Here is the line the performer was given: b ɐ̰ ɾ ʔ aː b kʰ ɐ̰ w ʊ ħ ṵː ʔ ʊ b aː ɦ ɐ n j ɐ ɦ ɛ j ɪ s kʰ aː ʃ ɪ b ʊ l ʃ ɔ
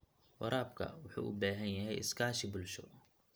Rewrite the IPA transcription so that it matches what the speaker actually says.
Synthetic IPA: w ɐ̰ ɾ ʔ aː b kʰ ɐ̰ w ʊ ħ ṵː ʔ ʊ b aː ɦ ɐ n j ɐ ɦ ɛ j ɪ s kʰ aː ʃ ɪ b ʊ l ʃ ɔ